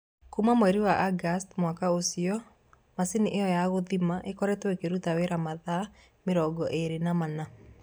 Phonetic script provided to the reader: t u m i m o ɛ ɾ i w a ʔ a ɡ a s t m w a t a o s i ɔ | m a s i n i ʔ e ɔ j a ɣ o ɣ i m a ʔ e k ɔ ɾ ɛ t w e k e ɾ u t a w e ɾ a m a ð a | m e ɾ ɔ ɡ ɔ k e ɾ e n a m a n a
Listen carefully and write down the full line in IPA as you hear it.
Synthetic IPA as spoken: k u m a m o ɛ ɾ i w a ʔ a ɡ a s t m w a k a o s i ɔ | m a s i n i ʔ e ɔ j a ɣ o ð i m a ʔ e k ɔ ɾ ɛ t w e k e ɾ u t a w e ɾ a m a ð a | m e ɾ ɔ ɡ ɔ ʔ e ɾ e n a m a n a